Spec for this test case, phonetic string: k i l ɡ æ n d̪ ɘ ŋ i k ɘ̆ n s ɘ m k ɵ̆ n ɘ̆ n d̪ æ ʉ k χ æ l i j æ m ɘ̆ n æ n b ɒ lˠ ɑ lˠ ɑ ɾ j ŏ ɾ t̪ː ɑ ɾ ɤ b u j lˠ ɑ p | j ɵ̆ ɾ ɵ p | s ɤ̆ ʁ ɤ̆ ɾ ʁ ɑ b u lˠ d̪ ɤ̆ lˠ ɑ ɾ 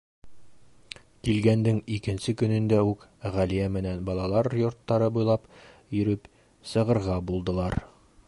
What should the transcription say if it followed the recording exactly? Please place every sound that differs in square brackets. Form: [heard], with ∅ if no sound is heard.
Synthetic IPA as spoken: k i l ɡ æ n d̪ ɘ ŋ i k ɘ̆ n s ɘ [∅] k ɵ̆ n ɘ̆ n d̪ æ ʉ k [ʁ] æ l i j æ m ɘ̆ n æ n b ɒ lˠ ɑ lˠ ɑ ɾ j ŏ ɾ t̪ː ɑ ɾ ɤ b u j lˠ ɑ p | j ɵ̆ ɾ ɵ p | s ɤ̆ ʁ ɤ̆ ɾ ʁ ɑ b u lˠ d̪ ɤ̆ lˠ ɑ ɾ

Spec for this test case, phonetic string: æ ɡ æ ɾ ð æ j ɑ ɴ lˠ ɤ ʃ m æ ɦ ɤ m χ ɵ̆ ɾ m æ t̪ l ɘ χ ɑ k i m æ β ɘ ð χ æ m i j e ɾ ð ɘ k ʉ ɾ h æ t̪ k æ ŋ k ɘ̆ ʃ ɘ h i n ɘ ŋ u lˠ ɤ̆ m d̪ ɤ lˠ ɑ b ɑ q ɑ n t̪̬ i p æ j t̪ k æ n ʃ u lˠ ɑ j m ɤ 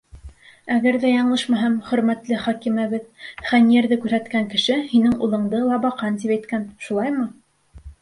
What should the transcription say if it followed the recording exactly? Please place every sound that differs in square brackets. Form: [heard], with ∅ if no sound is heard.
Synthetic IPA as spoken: æ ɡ æ ɾ ð æ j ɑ ɴ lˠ ɤ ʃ m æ ɦ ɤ m χ ɵ̆ ɾ m æ t̪ l ɘ χ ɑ k i m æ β ɘ ð χ æ [n] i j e ɾ ð ɘ k ʉ ɾ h æ t̪ k æ ŋ k ɘ̆ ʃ ɘ h i n ɘ ŋ u lˠ ɤ̆ [ɴ] d̪ ɤ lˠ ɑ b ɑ q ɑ n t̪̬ i p æ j t̪ k æ n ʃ u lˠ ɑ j m ɤ

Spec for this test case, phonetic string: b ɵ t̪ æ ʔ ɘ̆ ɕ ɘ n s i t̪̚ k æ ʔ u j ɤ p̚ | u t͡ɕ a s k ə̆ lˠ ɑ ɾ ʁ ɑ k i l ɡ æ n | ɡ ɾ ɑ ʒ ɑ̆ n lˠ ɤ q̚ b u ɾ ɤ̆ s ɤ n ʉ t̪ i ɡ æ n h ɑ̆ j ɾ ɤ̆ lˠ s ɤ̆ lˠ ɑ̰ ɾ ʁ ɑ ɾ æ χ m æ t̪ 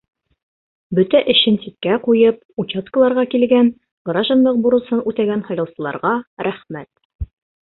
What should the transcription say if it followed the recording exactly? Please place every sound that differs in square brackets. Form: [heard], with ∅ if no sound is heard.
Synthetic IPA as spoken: b ɵ t̪ æ ʔ ɘ̆ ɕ ɘ n s i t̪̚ k æ [q] u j ɤ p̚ | u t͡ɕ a s k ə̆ lˠ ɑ ɾ ʁ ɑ k i l ɡ æ n | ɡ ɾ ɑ ʒ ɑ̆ n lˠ ɤ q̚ b u ɾ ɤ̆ s ɤ n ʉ t̪ [æ] ɡ æ n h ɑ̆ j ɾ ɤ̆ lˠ s ɤ̆ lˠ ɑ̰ ɾ ʁ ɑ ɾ æ χ m æ t̪

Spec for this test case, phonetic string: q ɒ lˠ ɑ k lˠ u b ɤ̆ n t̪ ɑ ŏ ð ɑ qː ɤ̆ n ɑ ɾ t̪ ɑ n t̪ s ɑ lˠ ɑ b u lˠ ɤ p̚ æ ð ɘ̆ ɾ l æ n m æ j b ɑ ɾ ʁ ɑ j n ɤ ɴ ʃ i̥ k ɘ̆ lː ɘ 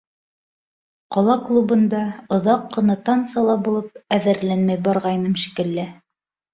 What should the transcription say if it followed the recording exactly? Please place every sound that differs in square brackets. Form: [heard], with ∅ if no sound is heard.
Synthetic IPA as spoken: q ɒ lˠ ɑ k lˠ u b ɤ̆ n [d̪] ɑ ŏ ð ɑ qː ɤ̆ n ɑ [∅] t̪ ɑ n t̪ s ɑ lˠ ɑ b u lˠ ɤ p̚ æ ð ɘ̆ ɾ l æ n m æ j b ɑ ɾ ʁ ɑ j n ɤ [m] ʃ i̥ k ɘ̆ lː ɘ

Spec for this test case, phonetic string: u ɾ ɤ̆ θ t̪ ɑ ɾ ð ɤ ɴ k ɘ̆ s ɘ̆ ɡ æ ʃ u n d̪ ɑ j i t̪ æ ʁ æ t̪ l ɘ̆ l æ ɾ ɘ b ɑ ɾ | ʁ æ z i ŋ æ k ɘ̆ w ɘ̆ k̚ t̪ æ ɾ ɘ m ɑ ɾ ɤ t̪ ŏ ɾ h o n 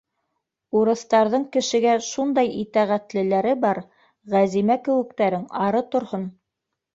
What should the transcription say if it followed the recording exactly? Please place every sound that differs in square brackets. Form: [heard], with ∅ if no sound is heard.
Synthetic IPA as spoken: u ɾ ɤ̆ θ t̪ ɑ ɾ ð ɤ ɴ k ɘ̆ [ʃ] ɘ̆ ɡ æ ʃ u n d̪ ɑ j i t̪ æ ʁ æ t̪ l ɘ̆ l æ ɾ ɘ b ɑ ɾ | ʁ æ z i [m] æ k ɘ̆ w ɘ̆ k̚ t̪ æ ɾ ɘ [ŋ] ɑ ɾ ɤ t̪ ŏ ɾ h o n

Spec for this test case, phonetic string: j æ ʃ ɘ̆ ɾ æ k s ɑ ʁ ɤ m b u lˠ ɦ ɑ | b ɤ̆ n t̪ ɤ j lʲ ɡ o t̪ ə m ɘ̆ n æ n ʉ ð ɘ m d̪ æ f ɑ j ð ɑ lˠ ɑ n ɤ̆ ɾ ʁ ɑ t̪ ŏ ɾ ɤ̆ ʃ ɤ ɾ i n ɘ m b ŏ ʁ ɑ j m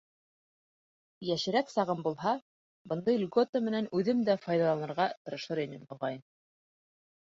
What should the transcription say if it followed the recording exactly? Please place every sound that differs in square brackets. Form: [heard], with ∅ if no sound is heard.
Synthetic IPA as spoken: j æ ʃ ɘ̆ ɾ æ k s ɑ ʁ ɤ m b u lˠ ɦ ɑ | b ɤ̆ n [d̪] ɤ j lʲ ɡ o t̪ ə m ɘ̆ n æ n ʉ ð ɘ m d̪ æ f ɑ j ð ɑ lˠ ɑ n ɤ̆ ɾ ʁ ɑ t̪ [ɤ̆] ɾ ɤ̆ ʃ ɤ ɾ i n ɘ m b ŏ ʁ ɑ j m

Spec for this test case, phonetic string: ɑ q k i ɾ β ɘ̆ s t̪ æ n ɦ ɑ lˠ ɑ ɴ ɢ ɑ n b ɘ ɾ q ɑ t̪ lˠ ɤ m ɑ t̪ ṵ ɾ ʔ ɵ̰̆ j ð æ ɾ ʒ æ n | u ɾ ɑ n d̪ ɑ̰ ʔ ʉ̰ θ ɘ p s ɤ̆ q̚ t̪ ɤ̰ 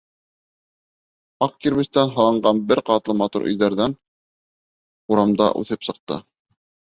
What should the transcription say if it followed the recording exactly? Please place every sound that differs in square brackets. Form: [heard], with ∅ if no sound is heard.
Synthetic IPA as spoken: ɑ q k i ɾ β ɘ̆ s t̪ æ n ɦ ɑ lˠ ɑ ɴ ɢ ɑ n b ɘ ɾ q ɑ t̪ lˠ ɤ m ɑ t̪ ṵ ɾ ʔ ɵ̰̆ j ð æ ɾ [ð] æ n | u ɾ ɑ [m] d̪ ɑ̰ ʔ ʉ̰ θ ɘ p s ɤ̆ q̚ t̪ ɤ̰

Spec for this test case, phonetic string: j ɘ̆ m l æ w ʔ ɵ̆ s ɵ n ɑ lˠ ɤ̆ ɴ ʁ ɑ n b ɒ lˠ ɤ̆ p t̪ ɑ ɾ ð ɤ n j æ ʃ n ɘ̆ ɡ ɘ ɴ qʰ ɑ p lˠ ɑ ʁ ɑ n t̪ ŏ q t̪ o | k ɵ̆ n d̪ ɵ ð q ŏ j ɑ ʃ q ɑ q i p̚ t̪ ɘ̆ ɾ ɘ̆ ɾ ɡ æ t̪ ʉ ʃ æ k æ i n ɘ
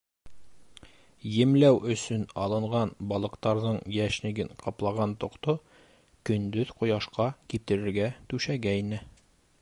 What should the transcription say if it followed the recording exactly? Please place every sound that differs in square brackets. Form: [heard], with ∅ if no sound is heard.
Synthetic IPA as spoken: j ɘ̆ m l æ w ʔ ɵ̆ s ɵ n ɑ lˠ ɤ̆ ɴ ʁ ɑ n b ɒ lˠ ɤ̆ [q] t̪ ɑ ɾ ð ɤ [ɴ] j æ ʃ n ɘ̆ ɡ ɘ ɴ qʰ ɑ p lˠ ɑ ʁ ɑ n t̪ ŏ q t̪ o | k ɵ̆ n d̪ ɵ ð q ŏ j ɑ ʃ q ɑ [k] i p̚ t̪ ɘ̆ ɾ ɘ̆ ɾ ɡ æ t̪ ʉ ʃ æ [ɡ] æ i n ɘ

